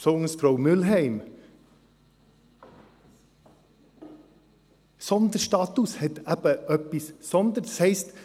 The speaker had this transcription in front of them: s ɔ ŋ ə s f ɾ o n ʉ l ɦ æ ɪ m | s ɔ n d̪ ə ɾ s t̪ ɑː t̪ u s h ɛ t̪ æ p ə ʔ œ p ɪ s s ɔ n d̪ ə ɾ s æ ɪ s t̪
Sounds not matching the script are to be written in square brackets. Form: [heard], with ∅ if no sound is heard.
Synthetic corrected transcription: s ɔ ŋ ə s f ɾ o [m] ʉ l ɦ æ ɪ m | s ɔ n d̪ ə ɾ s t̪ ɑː t̪ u s h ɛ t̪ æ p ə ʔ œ p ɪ s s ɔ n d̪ ə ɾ s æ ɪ s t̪

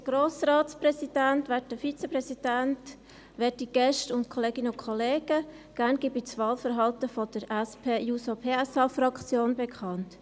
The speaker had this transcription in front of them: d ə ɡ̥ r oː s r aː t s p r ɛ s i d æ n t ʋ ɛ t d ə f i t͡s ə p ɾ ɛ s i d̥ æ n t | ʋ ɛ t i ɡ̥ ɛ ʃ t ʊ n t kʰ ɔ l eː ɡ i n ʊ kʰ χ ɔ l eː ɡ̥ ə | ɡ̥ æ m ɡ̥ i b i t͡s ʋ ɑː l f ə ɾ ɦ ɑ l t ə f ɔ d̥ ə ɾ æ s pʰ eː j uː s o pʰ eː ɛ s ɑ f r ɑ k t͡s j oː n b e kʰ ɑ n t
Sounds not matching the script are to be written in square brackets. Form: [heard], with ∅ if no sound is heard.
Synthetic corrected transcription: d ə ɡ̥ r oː s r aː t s p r ɛ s i d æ n t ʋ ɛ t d ə f i t͡s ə p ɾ ɛ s i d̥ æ n t | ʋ ɛ t i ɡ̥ ɛ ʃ t ʊ n t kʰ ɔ l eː ɡ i n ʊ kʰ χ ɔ l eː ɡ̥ ə | ɡ̥ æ [n] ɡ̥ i b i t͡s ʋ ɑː l f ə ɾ ɦ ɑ l t ə f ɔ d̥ ə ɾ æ s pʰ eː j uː s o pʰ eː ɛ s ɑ f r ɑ k t͡s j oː n b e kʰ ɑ n t

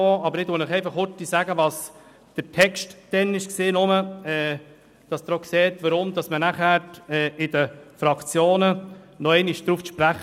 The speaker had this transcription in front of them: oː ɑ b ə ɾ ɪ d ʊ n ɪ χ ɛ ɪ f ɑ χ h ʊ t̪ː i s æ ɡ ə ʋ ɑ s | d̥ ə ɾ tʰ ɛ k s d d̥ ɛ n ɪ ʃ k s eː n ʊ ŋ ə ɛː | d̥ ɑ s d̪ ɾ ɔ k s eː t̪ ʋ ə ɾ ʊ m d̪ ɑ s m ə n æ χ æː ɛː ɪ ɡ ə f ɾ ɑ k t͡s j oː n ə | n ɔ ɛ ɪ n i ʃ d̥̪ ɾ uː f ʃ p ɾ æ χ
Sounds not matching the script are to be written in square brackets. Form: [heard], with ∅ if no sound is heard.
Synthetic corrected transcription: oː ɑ b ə ɾ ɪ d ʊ n ɪ χ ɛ ɪ f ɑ χ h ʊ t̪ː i s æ ɡ ə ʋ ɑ s | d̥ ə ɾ tʰ ɛ k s [t] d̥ ɛ n ɪ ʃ k s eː n ʊ [m] ə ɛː | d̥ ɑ s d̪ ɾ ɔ k s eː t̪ ʋ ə ɾ ʊ m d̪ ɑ s m ə n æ χ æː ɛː ɪ [d] ə f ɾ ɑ k t͡s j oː n ə | n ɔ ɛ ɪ n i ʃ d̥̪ ɾ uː f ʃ p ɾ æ χ

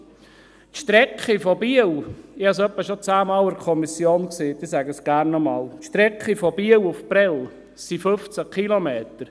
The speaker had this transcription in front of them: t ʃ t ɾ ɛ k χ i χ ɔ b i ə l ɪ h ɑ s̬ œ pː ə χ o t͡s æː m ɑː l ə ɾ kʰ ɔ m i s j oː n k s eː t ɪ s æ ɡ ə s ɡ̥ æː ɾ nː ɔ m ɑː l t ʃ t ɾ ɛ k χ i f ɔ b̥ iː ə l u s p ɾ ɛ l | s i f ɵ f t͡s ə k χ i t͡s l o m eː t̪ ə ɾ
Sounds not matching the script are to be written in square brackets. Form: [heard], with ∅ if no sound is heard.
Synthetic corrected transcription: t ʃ t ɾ ɛ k χ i [f] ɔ b i ə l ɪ h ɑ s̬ œ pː ə [ʃ] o t͡s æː m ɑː l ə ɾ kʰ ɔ m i s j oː n k s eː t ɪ s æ ɡ ə s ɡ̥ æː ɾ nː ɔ m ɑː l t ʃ t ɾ ɛ k χ i f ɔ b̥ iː ə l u [f] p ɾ ɛ l | s i f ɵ f t͡s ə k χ i [∅] l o m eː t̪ ə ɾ

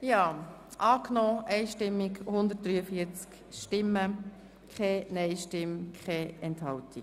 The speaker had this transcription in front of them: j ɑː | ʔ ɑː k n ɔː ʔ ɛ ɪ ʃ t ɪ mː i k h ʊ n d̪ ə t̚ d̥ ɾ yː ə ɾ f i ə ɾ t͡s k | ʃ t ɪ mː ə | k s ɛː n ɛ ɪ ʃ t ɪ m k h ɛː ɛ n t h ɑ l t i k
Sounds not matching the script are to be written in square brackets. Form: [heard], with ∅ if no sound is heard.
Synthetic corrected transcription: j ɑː | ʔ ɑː k n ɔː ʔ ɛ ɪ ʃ t ɪ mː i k h ʊ n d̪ ə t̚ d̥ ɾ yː ə [∅] f i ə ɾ t͡s k | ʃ t ɪ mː ə | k [χ] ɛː n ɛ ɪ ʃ t ɪ m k [χ] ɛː ɛ n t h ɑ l t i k

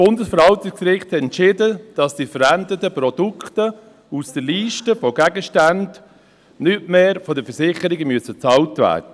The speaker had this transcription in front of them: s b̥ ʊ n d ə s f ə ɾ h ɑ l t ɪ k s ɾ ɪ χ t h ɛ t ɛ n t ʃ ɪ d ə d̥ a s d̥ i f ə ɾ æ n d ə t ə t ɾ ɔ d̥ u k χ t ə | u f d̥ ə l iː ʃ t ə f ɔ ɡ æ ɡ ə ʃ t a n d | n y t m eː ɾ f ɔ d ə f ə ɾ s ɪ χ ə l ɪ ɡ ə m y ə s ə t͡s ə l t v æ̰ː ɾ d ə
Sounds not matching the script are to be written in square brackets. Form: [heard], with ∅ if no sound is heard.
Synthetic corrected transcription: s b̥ ʊ n d ə s f ə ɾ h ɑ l t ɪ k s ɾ ɪ χ t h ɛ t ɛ n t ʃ ɪ d ə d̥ [ɑ] s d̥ i f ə ɾ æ n d ə t ə [p] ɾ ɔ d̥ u k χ t ə | u [s] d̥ ə l iː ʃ t ə f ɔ ɡ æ ɡ ə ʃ t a n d | n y t m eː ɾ f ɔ d ə f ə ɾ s ɪ χ ə [ɾ] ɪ ɡ ə m y ə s ə t͡s [ɑ] l t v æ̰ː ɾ d ə

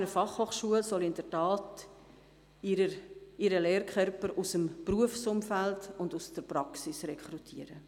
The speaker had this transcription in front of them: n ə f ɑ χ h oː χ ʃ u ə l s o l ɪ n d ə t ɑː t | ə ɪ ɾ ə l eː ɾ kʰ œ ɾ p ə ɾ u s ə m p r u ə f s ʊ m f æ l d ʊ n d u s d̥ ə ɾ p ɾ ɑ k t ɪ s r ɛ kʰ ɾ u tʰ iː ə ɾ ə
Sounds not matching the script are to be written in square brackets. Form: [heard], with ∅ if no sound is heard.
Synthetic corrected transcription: n ə f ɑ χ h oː χ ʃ u ə l s [ɔ] l ɪ n d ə t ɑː t | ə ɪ ɾ ə l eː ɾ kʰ œ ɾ p ə ɾ u s ə m p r u ə f s ʊ m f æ l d ʊ n d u s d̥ ə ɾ p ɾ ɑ k [s] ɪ s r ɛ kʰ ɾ u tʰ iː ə ɾ ə

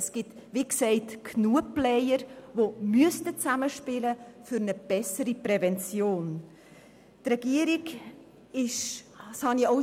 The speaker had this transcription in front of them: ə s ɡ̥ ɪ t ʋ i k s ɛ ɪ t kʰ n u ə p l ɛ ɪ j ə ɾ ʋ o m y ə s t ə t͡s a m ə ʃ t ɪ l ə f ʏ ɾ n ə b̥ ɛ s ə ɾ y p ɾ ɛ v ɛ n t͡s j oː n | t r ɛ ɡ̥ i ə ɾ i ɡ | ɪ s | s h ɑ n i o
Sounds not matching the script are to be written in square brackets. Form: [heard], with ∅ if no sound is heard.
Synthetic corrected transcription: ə s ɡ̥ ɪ t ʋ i k s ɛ ɪ t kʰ n u ə p l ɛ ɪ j ə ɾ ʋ o m y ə s t ə t͡s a m ə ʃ [p] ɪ l ə f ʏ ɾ n ə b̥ ɛ s ə ɾ [i] p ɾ ɛ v ɛ n t͡s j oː n | t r ɛ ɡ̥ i ə ɾ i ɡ | ɪ [ʃ] | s h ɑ n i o

